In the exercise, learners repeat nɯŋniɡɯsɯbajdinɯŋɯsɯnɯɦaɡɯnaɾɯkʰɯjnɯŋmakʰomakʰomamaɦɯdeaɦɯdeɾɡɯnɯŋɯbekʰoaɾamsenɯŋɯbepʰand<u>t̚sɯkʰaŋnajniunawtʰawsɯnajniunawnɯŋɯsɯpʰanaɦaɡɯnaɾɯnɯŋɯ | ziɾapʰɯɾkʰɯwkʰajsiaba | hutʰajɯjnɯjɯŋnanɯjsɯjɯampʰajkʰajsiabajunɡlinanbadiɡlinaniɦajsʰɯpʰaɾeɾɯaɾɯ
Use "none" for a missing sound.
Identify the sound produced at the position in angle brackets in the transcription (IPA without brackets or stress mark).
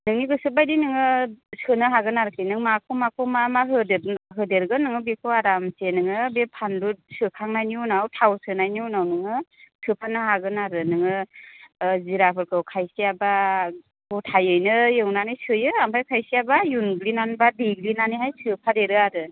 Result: u